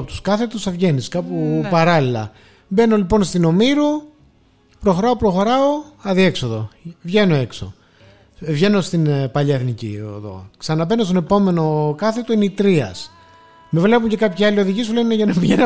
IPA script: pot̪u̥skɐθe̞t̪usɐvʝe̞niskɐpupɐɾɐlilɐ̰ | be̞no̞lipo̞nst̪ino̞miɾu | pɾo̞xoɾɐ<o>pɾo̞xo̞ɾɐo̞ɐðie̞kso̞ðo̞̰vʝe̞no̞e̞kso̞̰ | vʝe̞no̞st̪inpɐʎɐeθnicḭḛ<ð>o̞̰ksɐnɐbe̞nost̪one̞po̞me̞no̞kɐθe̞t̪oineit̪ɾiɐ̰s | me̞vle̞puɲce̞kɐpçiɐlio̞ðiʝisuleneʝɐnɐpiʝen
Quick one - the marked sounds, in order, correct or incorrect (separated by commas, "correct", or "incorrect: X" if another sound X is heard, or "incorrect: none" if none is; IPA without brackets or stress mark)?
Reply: correct, correct